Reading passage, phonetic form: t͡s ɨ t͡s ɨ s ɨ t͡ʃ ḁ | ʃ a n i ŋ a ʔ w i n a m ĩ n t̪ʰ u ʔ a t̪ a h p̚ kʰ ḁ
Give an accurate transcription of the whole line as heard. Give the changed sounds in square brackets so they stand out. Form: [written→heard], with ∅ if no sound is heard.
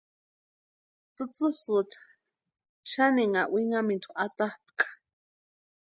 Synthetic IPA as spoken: t͡s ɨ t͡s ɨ s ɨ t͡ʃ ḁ | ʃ a n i ŋ a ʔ w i [n→ŋ] a m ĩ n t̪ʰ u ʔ a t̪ a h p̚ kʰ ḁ